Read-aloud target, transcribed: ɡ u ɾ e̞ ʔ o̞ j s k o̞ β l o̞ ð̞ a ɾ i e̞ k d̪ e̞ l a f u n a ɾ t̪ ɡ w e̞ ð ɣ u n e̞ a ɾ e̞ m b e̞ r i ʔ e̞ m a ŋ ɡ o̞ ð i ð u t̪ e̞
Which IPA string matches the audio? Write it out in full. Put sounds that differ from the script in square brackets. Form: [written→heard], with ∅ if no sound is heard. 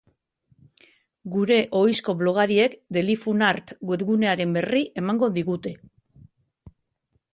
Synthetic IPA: ɡ u ɾ e̞ ʔ o̞ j s k o̞ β l o̞ [ð̞→ɣ̞] a ɾ i e̞ k d̪ e̞ l [a→i] f u n a ɾ t̪ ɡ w e̞ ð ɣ u n e̞ a ɾ e̞ m b e̞ r i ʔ e̞ m a ŋ ɡ o̞ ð i [ð→ɣ] u t̪ e̞